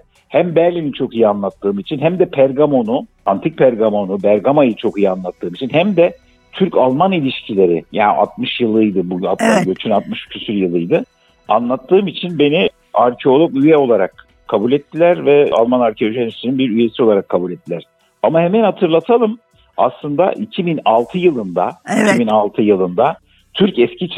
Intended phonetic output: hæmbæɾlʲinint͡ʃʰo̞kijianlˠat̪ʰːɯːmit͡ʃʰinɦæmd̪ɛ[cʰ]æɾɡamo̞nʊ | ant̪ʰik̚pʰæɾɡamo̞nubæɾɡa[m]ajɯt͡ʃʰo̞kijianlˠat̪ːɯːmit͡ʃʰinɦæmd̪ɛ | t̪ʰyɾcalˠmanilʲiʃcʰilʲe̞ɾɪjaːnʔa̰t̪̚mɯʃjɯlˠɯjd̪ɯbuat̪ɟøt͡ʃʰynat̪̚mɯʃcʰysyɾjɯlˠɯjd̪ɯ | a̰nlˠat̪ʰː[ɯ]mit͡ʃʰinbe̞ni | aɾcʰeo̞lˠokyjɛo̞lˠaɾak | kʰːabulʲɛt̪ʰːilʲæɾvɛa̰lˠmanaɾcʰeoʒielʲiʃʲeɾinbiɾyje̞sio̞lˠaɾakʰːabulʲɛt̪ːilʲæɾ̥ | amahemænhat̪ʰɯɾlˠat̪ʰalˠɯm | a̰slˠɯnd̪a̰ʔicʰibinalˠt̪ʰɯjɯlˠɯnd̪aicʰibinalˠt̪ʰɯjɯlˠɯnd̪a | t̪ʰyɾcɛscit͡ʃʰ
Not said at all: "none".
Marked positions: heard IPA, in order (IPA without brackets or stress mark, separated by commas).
pʰ, m, ɯː